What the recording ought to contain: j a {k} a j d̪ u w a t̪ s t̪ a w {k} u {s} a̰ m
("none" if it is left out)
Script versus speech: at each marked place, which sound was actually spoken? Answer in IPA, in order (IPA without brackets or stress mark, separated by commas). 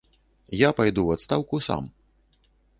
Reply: p, k, s